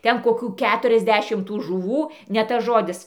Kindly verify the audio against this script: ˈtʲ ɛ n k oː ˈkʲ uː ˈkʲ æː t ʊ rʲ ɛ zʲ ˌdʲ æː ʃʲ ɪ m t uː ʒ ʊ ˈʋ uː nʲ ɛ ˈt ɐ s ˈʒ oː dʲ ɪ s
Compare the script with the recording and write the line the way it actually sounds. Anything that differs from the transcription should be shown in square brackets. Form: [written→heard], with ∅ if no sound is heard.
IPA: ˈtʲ ɛ n k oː ˈkʲ uː ˈkʲ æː t ʊ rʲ ɛ zʲ ˌdʲ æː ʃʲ ɪ m t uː ʒ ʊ ˈʋ uː nʲ ɛ ˈt ɐ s ˈʒ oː dʲ ɪ s